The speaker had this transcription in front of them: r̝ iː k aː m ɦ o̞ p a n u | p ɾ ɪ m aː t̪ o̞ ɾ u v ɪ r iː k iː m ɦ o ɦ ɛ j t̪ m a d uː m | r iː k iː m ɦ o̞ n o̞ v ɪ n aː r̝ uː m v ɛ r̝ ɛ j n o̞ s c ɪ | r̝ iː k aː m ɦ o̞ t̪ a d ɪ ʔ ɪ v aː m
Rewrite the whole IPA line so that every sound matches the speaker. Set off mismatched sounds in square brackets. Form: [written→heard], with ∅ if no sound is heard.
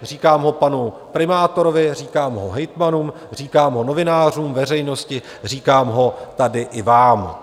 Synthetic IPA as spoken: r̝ iː k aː m ɦ o̞ p a n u | p ɾ ɪ m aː t̪ o̞ ɾ [u→o] v ɪ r iː k [iː→aː] m ɦ o ɦ ɛ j t̪ m a [d→n] uː m | r iː k [iː→aː] m ɦ o̞ n o̞ v ɪ n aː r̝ uː m v ɛ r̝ ɛ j n o̞ s c ɪ | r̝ iː k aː m ɦ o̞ t̪ a d ɪ ʔ ɪ v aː m

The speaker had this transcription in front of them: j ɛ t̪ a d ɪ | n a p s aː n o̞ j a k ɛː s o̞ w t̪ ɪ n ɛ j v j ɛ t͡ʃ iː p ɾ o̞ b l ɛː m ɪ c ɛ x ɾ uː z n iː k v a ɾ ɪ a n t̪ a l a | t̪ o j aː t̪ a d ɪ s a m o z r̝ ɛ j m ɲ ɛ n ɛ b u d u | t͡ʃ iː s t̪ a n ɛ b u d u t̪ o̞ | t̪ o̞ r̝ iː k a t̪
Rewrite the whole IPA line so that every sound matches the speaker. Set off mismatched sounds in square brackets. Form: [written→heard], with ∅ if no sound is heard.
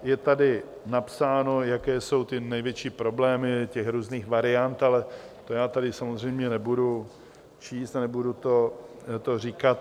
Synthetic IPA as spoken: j ɛ t̪ a d ɪ | n a p s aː n o̞ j a k ɛː s o̞ w t̪ ɪ n ɛ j v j ɛ t͡ʃ iː p ɾ o̞ b l ɛː m ɪ c ɛ x ɾ uː z n iː [k→x] v a ɾ ɪ a n t̪ a l [a→ɛ] | t̪ o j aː t̪ a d ɪ s a m o z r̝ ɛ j m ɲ ɛ n ɛ b u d u | t͡ʃ iː s t̪ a n ɛ b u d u t̪ o̞ | t̪ o̞ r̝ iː k a t̪

